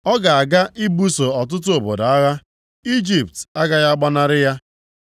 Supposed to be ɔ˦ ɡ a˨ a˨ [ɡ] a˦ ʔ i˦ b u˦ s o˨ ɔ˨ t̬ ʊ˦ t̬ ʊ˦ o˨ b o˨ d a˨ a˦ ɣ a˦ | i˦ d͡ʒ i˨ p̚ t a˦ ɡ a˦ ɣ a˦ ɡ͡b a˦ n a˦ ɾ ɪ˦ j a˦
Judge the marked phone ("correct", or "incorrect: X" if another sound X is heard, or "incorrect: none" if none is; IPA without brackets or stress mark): correct